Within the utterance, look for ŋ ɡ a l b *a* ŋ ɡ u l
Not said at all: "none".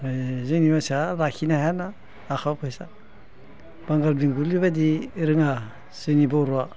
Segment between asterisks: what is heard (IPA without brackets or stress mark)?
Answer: i